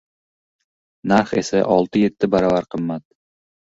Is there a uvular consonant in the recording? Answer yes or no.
yes